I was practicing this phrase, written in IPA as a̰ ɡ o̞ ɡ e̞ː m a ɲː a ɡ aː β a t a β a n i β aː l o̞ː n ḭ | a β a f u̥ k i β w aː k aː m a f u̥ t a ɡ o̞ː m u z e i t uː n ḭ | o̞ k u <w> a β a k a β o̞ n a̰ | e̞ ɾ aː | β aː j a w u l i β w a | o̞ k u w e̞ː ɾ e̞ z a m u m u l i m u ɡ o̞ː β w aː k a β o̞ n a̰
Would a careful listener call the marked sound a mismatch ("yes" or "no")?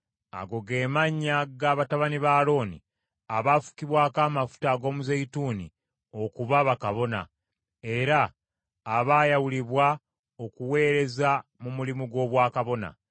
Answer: yes